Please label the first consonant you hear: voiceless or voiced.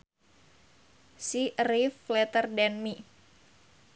voiceless